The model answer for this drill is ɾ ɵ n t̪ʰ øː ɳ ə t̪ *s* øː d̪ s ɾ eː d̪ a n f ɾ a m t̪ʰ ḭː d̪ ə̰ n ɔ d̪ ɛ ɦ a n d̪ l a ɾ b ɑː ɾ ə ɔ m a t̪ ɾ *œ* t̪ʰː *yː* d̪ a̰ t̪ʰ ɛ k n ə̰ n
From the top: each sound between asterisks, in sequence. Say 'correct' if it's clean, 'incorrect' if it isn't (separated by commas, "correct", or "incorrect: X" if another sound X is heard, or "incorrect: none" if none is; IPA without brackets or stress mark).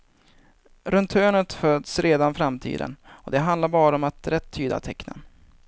incorrect: f, incorrect: ɛ, correct